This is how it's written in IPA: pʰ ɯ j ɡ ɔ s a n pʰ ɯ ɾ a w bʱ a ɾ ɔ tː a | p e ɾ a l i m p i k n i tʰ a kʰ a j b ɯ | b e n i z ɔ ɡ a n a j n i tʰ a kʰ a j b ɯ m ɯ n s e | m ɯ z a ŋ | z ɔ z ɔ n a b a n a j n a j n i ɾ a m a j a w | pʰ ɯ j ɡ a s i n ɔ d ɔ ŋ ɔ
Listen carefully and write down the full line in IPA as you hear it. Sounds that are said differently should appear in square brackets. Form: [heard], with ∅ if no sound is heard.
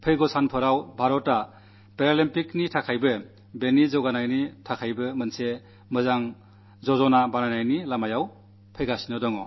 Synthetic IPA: pʰ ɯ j ɡ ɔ s a n pʰ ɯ ɾ a w bʱ a ɾ ɔ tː a | p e ɾ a l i m p i k n i tʰ a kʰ a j b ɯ | b e n i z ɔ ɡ a n a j n i tʰ a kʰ a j b ɯ m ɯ n s e | m ɯ z a ŋ | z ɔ z ɔ n a b a n a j n a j n i [l] a m a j a w | pʰ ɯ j ɡ a s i n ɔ d ɔ ŋ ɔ